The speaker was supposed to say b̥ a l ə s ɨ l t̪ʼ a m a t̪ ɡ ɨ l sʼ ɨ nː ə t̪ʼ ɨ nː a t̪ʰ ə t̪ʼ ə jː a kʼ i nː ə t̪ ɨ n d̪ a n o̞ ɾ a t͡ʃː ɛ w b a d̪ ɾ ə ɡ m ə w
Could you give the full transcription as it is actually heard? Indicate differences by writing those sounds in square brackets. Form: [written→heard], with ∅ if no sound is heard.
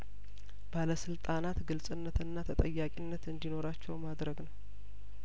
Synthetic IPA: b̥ a l ə s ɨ l t̪ʼ a [m→n] a t̪ ɡ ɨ l sʼ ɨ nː ə [t̪ʼ→t̪] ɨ nː a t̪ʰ ə t̪ʼ ə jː a kʼ i nː ə t̪ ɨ n d̪ [a→i] n o̞ ɾ a t͡ʃː ɛ w [b→m] a d̪ ɾ ə ɡ [m→n] ə w